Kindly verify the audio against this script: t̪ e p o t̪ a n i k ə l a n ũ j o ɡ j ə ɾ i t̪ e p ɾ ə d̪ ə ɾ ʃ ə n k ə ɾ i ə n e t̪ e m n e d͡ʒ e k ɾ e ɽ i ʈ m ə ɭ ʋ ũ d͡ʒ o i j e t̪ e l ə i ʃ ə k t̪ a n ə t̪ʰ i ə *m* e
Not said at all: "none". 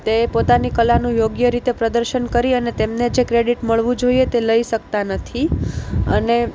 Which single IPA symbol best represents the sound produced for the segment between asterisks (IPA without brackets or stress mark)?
n